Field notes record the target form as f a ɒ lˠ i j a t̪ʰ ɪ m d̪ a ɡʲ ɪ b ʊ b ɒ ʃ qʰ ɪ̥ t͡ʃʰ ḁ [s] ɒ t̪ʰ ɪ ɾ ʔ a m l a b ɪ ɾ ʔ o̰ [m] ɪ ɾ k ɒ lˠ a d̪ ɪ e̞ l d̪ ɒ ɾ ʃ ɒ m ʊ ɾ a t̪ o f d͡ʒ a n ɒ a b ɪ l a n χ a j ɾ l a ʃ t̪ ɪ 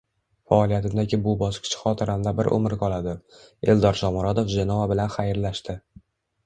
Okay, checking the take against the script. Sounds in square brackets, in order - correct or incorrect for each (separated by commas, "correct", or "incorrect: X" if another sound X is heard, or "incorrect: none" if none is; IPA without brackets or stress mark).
incorrect: χ, correct